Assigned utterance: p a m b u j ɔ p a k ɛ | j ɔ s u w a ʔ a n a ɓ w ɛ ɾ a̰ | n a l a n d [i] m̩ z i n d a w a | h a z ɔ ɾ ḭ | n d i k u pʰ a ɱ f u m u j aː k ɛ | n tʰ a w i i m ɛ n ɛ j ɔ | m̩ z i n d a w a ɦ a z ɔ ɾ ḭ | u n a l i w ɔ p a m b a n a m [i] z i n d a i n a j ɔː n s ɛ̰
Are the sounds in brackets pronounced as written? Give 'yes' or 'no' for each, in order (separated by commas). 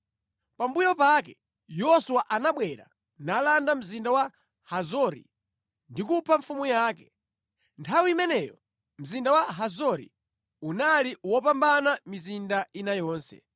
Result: no, yes